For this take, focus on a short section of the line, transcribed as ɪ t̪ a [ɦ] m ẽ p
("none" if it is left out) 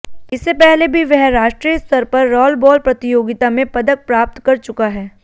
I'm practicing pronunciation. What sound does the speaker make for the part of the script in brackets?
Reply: none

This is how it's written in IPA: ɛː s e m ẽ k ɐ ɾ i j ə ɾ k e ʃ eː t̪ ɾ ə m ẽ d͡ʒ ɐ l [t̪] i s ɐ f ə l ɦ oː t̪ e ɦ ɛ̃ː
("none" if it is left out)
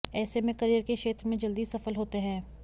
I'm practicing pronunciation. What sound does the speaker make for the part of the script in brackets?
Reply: d̪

